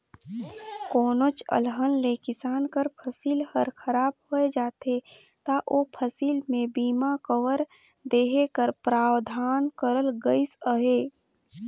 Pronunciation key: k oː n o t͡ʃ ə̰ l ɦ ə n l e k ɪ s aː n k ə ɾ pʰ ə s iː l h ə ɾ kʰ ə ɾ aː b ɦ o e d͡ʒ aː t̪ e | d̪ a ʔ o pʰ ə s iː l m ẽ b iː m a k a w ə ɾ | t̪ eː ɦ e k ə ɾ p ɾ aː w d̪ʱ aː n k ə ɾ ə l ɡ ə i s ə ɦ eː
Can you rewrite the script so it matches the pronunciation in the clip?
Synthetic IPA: k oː n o t͡ʃ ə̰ l ɦ ə n l e k ɪ s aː n k ə ɾ pʰ ə s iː l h ə ɾ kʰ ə ɾ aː b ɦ o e d͡ʒ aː t̪ e | t̪ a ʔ o pʰ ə s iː l m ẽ b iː m a k ə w ə ɾ | d̪ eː ɦ e k ə ɾ p ɾ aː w d̪ʱ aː n k ə ɾ ə l ɡ ə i s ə ɦ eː